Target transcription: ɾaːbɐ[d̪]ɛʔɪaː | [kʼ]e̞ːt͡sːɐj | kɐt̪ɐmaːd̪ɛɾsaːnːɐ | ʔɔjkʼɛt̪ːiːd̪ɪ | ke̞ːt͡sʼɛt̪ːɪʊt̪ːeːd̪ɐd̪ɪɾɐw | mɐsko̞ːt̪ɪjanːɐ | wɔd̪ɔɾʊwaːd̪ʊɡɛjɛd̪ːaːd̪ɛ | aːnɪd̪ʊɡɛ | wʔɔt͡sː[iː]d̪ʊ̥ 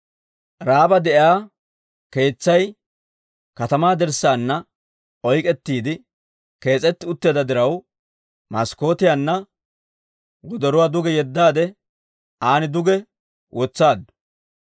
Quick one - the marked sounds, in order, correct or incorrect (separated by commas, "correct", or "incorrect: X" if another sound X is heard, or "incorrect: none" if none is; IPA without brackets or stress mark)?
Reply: correct, incorrect: k, incorrect: aː